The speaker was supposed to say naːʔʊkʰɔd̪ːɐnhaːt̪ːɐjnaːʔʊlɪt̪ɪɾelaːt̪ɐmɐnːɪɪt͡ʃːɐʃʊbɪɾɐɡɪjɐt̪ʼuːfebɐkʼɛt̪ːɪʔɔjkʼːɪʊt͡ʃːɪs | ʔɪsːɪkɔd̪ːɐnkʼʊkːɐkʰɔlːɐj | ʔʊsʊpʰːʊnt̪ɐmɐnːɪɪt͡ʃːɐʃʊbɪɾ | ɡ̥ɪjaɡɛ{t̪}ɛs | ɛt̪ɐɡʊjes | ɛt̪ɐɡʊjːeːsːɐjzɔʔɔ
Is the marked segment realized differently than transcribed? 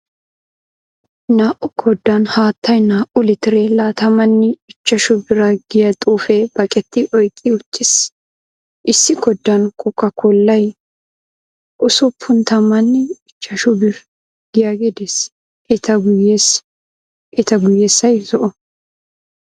yes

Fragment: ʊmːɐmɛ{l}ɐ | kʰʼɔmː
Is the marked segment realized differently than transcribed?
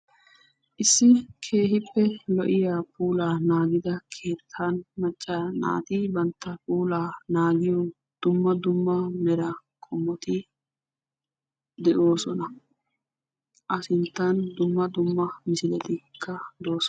yes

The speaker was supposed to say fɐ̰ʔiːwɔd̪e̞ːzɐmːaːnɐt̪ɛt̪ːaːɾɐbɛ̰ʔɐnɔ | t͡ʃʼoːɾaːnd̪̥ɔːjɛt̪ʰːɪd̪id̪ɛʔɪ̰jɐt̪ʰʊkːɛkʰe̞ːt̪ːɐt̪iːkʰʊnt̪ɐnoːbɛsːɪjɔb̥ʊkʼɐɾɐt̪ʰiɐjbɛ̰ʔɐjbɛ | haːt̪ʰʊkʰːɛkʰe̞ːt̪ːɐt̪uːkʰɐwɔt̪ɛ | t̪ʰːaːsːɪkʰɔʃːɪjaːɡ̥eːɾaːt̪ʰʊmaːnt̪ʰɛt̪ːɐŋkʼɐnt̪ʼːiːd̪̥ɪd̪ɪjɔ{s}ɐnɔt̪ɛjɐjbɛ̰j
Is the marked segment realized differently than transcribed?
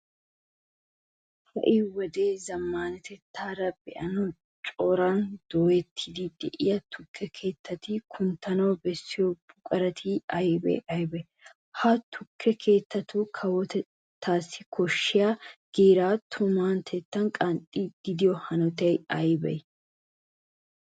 yes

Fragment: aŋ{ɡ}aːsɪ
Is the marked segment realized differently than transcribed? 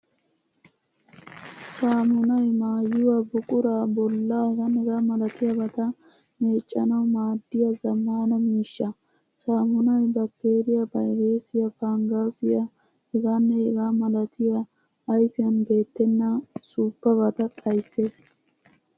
no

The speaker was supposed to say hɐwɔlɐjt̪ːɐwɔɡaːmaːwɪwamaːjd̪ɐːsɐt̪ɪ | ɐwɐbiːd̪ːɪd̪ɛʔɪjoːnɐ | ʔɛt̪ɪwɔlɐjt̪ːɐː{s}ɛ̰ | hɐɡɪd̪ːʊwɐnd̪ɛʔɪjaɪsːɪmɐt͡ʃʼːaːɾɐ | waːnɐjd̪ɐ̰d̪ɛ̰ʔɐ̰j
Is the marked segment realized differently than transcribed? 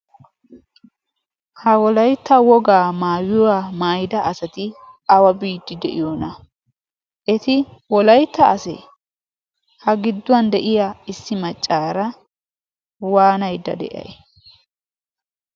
no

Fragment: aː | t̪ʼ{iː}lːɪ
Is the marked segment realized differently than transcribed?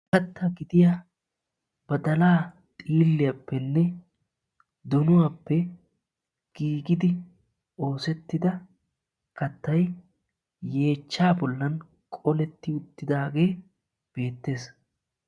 no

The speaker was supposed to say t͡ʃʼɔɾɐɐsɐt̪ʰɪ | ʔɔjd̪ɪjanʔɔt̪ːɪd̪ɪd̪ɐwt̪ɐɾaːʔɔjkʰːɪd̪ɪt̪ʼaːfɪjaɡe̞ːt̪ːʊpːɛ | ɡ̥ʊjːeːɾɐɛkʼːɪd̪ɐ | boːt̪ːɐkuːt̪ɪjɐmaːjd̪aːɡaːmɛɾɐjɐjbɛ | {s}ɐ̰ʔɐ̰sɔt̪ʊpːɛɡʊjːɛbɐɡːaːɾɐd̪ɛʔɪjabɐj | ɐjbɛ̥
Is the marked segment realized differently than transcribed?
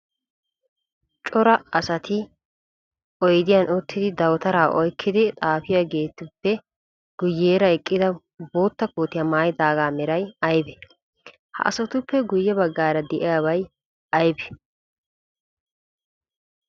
yes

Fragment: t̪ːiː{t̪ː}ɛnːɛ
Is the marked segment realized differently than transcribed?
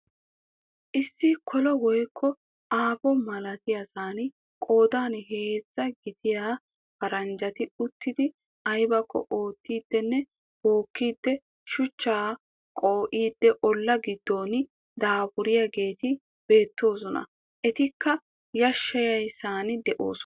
yes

